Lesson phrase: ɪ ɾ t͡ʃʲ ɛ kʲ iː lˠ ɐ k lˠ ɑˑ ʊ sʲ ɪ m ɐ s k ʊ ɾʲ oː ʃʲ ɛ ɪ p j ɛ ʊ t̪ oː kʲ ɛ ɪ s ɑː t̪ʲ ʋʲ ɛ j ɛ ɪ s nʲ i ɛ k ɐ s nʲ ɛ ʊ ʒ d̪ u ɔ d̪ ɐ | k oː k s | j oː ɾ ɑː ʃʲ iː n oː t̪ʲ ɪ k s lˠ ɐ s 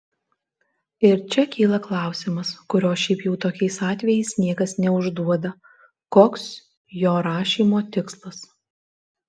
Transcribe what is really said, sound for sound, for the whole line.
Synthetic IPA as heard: ɪ ɾ t͡ʃʲ ɛ kʲ iː lˠ ɐ k lˠ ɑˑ ʊ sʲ ɪ m ɐ s k ʊ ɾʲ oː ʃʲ ɛ ɪ p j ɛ ʊ t̪ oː kʲ ɛ ɪ s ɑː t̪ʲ ʋʲ ɛ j ɛ ɪ s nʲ i ɛ k ɐ s nʲ ɛ ʊ ʒ d̪ u ɔ d̪ ɐ | k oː k s | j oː ɾ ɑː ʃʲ iː m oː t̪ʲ ɪ k s lˠ ɐ s

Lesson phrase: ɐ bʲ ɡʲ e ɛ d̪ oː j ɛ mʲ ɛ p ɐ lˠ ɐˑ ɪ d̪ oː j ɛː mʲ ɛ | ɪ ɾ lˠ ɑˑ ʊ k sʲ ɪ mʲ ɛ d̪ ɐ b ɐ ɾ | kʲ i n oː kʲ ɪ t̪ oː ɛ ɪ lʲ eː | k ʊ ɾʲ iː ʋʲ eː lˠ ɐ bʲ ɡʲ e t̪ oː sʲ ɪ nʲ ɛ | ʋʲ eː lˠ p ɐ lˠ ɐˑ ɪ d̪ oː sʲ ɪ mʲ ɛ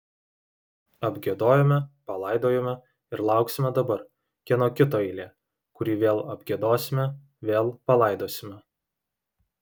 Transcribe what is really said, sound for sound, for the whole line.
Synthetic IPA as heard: ɐ bʲ ɡʲ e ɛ d̪ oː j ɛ mʲ ɛ p ɐ lˠ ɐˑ ɪ d̪ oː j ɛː mʲ ɛ | ɪ ɾ lˠ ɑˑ ʊ k sʲ ɪ mʲ ɛ d̪ ɐ b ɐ ɾ | kʲ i n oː kʲ ɪ t̪ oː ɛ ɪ lʲ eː | k ʊ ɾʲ iː ʋʲ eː lˠ ɐ bʲ ɡʲ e d̪ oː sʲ ɪ mʲ ɛ | ʋʲ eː lˠ p ɐ lˠ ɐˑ ɪ d̪ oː sʲ ɪ mʲ ɛ

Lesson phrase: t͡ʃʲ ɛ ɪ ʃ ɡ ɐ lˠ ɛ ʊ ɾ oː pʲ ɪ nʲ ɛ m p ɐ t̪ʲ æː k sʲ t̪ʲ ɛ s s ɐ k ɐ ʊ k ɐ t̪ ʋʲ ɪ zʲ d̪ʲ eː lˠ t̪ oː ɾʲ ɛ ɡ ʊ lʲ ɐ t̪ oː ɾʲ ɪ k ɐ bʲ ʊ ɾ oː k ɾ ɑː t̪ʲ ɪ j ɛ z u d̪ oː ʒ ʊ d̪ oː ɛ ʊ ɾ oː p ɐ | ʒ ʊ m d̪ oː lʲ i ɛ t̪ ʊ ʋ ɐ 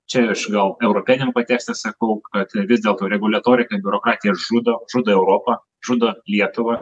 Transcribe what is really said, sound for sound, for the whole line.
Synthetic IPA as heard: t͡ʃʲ ɛ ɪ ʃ ɡ ɐ lˠ ɛ ʊ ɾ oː pʲ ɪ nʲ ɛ m p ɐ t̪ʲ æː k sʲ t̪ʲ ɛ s s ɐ k ɐ ʊ k ɐ t̪ ʋʲ ɪ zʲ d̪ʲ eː lˠ t̪ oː ɾʲ ɛ ɡ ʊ lʲ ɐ t̪ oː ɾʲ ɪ k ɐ bʲ ʊ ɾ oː k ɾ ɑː t̪ʲ ɪ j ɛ ʒ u d̪ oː ʒ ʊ d̪ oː ɛ ʊ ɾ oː p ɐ | ʒ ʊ d̪ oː lʲ i ɛ t̪ ʊ ʋ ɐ

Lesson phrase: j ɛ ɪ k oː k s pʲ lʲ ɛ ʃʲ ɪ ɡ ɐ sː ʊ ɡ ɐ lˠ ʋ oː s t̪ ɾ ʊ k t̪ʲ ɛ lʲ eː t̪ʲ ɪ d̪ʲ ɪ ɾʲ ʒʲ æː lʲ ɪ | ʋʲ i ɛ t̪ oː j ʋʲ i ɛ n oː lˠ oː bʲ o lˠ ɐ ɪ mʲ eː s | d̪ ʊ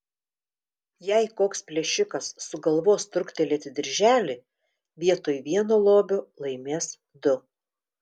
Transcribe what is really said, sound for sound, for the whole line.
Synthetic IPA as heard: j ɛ ɪ k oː k s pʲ lʲ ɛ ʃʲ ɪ k ɐ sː ʊ ɡ ɐ lˠ ʋ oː s t̪ ɾ ʊ k t̪ʲ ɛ lʲ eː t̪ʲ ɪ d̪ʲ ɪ ɾʲ ʒʲ æː lʲ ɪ | ʋʲ i ɛ t̪ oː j ʋʲ i ɛ n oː lˠ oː bʲ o lˠ ɐ ɪ mʲ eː s | d̪ ʊ

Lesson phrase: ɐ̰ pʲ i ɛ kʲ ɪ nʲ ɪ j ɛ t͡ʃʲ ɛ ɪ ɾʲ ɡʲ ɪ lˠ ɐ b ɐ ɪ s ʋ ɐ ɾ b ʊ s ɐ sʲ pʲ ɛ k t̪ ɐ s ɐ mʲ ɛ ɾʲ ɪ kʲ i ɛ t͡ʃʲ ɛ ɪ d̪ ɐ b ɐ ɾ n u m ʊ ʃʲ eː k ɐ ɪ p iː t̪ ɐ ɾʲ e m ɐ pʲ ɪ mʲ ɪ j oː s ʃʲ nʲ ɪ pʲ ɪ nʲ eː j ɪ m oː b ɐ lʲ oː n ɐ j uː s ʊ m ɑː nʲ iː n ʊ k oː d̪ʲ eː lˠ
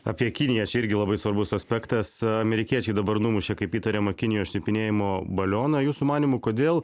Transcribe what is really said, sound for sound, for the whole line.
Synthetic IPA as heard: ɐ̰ pʲ i ɛ kʲ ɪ nʲ ɪ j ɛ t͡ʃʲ ɛ ɪ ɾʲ ɡʲ ɪ lˠ ɐ b ɐ ɪ s ʋ ɐ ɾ b ʊ s ɐ sʲ pʲ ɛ k t̪ ɐ s ɐ mʲ ɛ ɾʲ ɪ kʲ i ɛ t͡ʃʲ ɛ ɪ d̪ ɐ b ɐ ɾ n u m ʊ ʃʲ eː k ɐ ɪ p iː t̪ ɐ ɾʲ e m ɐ kʲ ɪ nʲ ɪ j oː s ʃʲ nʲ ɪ pʲ ɪ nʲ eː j ɪ m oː b ɐ lʲ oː n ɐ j uː s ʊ m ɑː nʲ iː m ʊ k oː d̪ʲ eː lˠ

